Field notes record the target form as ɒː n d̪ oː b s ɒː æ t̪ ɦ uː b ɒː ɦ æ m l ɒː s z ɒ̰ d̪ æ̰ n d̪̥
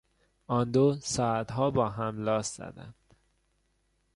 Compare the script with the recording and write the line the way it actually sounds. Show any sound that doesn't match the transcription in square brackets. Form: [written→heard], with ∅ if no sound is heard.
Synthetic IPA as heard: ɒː n d̪ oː [b→∅] s ɒː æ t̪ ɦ [uː→ɒː] b ɒː ɦ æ m l ɒː s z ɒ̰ d̪ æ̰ n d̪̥

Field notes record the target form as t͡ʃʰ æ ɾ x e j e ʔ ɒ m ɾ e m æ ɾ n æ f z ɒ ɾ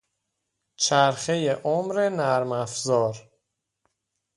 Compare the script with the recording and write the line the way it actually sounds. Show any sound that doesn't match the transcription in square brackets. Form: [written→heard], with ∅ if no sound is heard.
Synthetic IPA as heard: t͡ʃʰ æ ɾ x e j e ʔ [ɒ→o] m ɾ e [m→n] æ ɾ [n→m] æ f z [ɒ→ɒː] ɾ

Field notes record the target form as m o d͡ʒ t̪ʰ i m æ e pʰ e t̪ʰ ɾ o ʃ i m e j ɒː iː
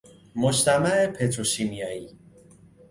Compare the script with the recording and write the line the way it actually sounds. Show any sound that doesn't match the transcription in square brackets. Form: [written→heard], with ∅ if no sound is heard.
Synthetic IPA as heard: m o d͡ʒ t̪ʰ [i→æ] m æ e pʰ e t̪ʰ ɾ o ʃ i m [e→i] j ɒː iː

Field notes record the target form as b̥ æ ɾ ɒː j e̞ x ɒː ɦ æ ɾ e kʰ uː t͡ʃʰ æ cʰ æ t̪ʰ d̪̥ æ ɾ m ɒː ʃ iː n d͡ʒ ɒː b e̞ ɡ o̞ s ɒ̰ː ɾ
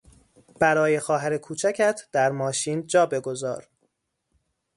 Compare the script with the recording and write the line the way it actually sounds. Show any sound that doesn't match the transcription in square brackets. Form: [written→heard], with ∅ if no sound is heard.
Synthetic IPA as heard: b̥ æ ɾ ɒː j e̞ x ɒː ɦ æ ɾ e kʰ uː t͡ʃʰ æ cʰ æ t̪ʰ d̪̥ æ ɾ m ɒː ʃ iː n d͡ʒ ɒː b e̞ ɡ o̞ [s→z] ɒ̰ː ɾ

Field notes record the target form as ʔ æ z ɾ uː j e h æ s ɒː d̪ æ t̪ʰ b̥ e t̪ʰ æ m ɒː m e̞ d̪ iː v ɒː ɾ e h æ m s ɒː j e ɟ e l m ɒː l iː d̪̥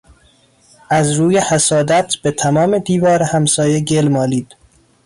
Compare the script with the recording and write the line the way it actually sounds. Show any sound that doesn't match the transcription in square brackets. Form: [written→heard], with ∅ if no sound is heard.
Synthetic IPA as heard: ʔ æ z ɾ uː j e h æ s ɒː d̪ æ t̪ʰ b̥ e t̪ʰ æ m ɒː m e̞ d̪ iː v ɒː ɾ e h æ m s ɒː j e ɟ e l m ɒː l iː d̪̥

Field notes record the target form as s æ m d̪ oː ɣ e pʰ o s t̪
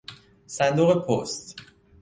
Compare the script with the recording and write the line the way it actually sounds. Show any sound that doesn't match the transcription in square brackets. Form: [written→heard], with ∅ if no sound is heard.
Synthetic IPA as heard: s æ [m→n] d̪ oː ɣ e pʰ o s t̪

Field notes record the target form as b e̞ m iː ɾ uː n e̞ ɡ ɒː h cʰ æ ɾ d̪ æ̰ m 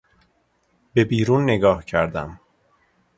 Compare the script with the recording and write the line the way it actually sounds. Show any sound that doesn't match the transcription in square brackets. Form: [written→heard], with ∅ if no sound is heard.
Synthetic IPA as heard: b e̞ [m→b] iː ɾ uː [n→nː] e̞ ɡ ɒː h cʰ æ ɾ d̪ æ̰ m

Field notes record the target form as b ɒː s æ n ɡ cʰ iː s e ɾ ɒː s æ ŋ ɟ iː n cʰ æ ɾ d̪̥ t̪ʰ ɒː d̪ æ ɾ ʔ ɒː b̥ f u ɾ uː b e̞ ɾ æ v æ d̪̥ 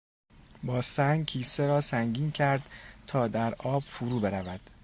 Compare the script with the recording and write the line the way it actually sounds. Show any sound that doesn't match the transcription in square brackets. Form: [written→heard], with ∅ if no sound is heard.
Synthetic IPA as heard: b ɒː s æ [n→ŋ] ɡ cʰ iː s e ɾ ɒː s æ ŋ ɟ iː n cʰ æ ɾ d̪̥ t̪ʰ ɒː d̪ æ ɾ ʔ ɒː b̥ f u ɾ uː b e̞ ɾ æ v æ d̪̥

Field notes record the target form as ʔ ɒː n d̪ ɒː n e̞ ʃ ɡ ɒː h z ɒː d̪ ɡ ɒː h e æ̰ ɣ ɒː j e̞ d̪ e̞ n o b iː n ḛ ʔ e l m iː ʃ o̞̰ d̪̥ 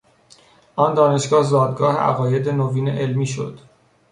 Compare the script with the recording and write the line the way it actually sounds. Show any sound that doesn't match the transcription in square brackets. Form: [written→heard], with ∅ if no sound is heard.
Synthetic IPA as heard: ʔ ɒː n d̪ ɒː n e̞ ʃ ɡ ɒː h z ɒː d̪ ɡ ɒː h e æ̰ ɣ ɒː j e̞ d̪ e̞ n o [b→v] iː n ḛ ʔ e l m iː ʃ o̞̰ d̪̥

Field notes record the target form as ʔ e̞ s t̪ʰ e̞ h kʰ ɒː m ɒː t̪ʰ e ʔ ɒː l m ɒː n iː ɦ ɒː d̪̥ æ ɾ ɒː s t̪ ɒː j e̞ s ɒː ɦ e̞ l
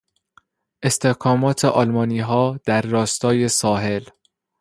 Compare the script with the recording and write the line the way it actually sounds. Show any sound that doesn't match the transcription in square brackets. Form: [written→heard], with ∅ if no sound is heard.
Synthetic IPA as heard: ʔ e̞ s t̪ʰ e̞ h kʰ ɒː m ɒː t̪ʰ e ʔ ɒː l m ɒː n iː ɦ ɒː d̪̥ æ [ɾ→ɾː] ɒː s t̪ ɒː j e̞ s ɒː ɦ e̞ l

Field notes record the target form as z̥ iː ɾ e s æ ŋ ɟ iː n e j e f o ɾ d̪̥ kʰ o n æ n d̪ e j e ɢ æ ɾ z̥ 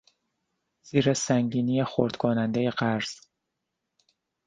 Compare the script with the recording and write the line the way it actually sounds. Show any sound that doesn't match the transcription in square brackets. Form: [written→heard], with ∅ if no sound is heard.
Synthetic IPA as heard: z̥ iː ɾ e s æ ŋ ɟ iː n [e→i] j e [f→x] o ɾ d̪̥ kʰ o n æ n d̪ e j e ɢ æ ɾ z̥

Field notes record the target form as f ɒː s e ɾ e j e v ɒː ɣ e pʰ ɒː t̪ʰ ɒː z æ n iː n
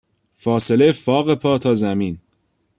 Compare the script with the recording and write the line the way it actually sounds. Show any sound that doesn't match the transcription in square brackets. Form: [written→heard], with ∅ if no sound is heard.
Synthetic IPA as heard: f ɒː s e [ɾ→l] e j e [v→f] ɒː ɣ e pʰ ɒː t̪ʰ ɒː z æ [n→m] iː n

